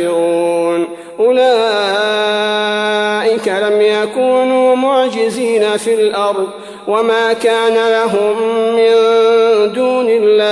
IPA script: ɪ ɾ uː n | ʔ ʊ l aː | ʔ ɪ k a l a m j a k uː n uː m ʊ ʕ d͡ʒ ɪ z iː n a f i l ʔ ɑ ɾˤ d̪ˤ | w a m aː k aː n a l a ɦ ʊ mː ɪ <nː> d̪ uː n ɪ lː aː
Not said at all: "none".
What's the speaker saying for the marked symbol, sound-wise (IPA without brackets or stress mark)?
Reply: n